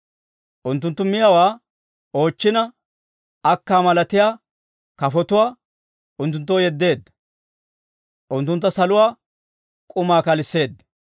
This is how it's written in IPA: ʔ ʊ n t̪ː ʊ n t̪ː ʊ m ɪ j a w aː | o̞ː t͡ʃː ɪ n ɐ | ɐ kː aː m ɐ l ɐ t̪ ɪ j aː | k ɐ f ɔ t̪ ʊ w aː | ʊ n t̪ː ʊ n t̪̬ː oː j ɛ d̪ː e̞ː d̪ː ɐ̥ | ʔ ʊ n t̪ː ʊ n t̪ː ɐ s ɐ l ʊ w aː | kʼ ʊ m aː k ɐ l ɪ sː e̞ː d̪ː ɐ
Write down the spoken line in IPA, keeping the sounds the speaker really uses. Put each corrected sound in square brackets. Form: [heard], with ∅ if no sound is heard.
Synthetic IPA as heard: ʔ ʊ n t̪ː ʊ n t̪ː ʊ m ɪ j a w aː | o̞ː t͡ʃː ɪ n ɐ | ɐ kː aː m ɐ l ɐ t̪ ɪ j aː | k ɐ f ɔ t̪ ʊ w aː | ʊ n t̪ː ʊ n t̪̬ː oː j ɛ d̪ː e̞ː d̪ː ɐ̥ | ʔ ʊ n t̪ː ʊ n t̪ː ɐ s ɐ l ʊ w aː | kʼ ʊ m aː k ɐ l ɪ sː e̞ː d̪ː ɐ